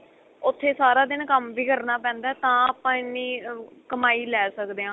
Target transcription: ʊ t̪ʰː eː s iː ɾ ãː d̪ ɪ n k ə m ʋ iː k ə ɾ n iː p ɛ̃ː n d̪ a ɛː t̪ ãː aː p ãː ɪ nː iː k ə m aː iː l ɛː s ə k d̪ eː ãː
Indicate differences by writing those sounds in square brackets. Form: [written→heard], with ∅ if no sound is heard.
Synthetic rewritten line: ʊ t̪ʰː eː s [iː→aː] ɾ [ãː→aː] d̪ ɪ n k ə m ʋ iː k ə ɾ n [iː→aː] p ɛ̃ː n d̪ a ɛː t̪ ãː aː p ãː ɪ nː iː k ə m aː iː l ɛː s ə k d̪ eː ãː